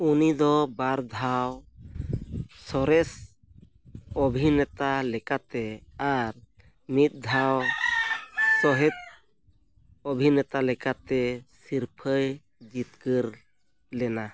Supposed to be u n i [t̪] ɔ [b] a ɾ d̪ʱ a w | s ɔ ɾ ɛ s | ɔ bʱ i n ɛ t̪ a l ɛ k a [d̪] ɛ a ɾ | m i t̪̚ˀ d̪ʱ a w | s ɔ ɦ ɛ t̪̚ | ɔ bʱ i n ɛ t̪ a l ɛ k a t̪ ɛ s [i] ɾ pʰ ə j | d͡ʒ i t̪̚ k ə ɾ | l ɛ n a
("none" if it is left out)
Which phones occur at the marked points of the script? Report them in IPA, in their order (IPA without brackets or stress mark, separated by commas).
d̪, b, t̪, i